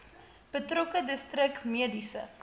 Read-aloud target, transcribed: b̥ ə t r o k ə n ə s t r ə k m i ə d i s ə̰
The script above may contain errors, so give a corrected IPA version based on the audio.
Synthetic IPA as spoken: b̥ ə t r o k ə d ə s t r ə k m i ə d i s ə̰